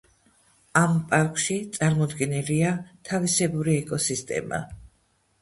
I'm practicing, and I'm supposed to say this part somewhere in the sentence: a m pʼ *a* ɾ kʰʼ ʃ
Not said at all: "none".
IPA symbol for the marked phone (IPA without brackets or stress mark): a